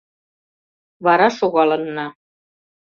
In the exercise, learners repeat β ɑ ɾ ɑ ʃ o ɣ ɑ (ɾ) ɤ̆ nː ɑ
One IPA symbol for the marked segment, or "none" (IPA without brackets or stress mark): l